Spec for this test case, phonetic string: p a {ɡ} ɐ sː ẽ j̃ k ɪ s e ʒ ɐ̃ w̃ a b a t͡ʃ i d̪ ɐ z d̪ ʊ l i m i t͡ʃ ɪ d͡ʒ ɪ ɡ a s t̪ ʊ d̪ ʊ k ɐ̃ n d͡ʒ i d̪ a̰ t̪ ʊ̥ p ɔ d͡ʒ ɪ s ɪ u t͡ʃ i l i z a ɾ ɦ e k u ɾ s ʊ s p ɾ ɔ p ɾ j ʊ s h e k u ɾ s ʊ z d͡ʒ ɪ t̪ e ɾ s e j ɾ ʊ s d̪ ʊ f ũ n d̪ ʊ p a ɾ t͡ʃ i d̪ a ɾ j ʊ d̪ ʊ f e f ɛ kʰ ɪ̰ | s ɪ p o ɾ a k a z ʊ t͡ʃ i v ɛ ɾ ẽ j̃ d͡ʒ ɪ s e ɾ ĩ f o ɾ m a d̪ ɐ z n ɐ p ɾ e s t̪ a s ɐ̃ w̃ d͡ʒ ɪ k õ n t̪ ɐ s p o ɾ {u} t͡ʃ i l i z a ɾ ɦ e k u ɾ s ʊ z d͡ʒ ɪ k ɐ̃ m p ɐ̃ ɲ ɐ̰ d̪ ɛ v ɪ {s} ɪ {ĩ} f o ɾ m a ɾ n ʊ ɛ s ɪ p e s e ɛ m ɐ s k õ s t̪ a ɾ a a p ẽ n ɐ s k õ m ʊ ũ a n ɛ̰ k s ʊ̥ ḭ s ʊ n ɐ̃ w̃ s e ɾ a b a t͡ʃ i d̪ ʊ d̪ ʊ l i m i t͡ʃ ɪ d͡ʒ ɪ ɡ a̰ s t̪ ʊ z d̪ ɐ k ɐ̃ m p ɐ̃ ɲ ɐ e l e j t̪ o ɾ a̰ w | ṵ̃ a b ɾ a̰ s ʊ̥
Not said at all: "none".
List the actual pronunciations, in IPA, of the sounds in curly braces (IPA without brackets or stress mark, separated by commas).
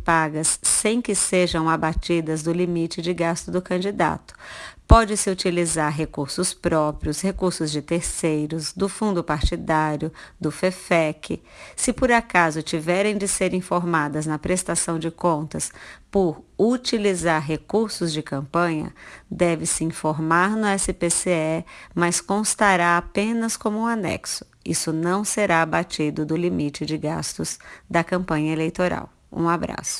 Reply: ɡ, u, s, ĩ